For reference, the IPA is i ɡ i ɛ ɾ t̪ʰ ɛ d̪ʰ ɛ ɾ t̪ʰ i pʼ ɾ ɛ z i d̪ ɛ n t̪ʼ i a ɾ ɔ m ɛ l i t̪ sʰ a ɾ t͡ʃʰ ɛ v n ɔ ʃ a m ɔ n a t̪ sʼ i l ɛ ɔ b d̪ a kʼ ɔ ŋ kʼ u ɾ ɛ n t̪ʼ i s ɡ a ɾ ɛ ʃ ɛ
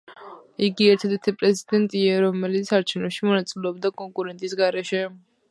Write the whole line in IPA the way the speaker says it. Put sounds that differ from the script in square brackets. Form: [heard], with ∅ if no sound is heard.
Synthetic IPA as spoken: i ɡ i ɛ ɾ t̪ʰ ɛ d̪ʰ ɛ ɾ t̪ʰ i pʼ ɾ ɛ z i d̪ ɛ n t̪ʼ i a ɾ ɔ m ɛ l i t̪ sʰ a ɾ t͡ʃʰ ɛ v n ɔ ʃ [i] m ɔ n a t̪ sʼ i l ɛ ɔ b d̪ a kʼ ɔ ŋ kʼ u ɾ ɛ n t̪ʼ i s ɡ a ɾ ɛ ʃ ɛ